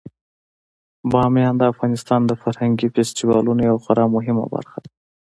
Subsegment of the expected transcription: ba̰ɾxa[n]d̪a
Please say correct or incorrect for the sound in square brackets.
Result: incorrect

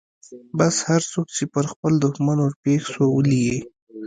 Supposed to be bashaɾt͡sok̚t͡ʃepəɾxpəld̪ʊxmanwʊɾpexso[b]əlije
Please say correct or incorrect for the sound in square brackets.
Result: incorrect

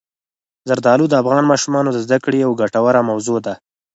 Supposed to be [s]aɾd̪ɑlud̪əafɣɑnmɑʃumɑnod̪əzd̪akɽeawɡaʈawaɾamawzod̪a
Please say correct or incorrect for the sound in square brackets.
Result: incorrect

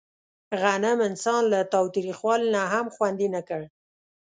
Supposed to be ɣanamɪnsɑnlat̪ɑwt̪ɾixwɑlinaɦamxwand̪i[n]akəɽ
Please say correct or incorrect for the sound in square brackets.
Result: correct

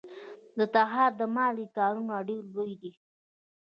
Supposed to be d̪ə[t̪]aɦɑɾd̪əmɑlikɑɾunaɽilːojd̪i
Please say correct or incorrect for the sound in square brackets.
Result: correct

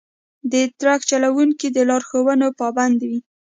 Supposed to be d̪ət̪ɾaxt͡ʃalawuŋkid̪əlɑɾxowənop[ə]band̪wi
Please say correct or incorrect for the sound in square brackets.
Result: incorrect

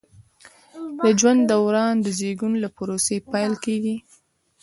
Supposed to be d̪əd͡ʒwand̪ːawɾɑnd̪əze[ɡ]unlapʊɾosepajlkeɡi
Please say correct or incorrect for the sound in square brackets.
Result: correct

